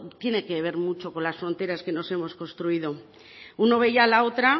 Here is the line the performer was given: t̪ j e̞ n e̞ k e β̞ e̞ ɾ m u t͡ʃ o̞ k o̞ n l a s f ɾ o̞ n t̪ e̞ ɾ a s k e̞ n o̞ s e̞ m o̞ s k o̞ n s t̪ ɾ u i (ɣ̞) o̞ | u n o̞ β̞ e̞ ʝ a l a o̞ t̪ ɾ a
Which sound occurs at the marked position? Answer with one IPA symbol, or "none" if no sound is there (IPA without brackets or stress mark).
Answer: ð̞